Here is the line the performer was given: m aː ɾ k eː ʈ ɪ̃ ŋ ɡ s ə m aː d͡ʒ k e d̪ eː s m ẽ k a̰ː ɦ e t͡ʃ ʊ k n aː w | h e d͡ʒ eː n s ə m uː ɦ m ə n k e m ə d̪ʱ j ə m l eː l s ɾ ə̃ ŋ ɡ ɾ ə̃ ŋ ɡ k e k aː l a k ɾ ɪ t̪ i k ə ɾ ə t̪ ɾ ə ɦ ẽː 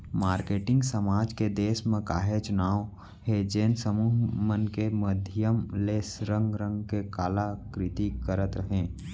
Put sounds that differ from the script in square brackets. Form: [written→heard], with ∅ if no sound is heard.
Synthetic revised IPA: m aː ɾ k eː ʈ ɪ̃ ŋ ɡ s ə m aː d͡ʒ k e d̪ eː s m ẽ k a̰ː ɦ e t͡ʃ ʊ [k→∅] n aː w | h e d͡ʒ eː n s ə m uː ɦ m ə n k e m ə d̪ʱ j ə m l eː [l→∅] s ɾ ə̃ ŋ ɡ ɾ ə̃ ŋ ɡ k e k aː l a k ɾ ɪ t̪ i k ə ɾ ə t̪ ɾ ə ɦ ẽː